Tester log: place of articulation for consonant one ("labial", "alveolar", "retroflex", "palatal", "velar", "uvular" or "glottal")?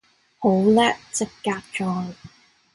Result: glottal